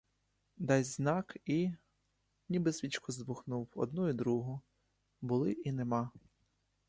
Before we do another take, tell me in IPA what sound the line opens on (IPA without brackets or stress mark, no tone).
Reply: d̪